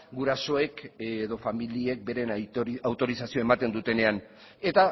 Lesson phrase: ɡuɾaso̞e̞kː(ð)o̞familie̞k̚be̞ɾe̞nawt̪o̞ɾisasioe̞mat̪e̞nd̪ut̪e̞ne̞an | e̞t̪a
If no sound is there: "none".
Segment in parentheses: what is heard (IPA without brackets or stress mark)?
ð